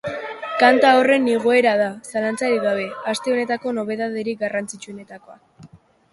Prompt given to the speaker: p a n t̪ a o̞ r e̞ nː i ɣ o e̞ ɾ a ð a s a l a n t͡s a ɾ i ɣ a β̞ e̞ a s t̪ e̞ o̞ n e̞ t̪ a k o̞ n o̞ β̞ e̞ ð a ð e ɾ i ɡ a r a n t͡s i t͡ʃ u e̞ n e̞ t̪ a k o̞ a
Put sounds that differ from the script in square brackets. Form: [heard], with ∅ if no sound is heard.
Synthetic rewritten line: [k] a n t̪ a o̞ r e̞ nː i ɣ o e̞ ɾ a ð a s a l a n t͡s a ɾ i ɣ a β̞ e̞ a s t̪ e̞ o̞ n e̞ t̪ a k o̞ n o̞ β̞ e̞ ð a ð e ɾ i ɡ a r a n t͡s i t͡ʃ u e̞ n e̞ t̪ a k o̞ a